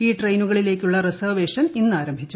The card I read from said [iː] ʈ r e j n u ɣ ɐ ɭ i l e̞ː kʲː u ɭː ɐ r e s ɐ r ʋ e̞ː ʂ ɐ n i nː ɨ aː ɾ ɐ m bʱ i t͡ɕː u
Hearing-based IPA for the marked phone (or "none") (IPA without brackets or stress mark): iː